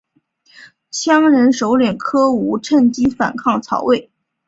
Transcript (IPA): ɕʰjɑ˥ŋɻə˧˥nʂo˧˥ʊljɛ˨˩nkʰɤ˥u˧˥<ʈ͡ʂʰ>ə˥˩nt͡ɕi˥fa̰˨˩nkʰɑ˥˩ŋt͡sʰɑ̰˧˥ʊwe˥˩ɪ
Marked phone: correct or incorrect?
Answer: correct